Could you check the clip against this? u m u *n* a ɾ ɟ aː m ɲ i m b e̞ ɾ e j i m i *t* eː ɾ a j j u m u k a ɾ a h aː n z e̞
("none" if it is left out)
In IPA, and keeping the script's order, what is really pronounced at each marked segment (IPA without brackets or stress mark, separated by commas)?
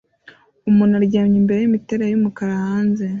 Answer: n, t